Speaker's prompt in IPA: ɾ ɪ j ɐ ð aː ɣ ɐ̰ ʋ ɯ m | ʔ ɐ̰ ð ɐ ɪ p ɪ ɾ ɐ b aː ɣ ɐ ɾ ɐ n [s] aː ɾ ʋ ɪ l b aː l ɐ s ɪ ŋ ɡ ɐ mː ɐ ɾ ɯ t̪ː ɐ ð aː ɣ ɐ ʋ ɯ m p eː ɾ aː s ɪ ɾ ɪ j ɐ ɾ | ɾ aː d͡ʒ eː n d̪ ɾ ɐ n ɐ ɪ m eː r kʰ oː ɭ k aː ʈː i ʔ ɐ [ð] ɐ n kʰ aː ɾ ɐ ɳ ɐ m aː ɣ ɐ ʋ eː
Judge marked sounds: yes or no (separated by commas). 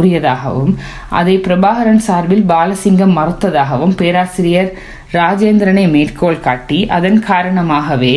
yes, yes